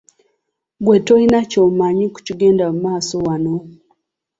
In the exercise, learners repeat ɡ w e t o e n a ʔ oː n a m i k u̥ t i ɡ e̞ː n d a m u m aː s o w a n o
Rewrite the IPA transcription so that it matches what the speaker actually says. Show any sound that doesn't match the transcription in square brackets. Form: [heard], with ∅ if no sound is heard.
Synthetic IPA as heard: ɡ w e t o [i] n a [c] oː [m] a [ɲ] i k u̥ [c] i ɡ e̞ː n d a m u m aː s o w a n o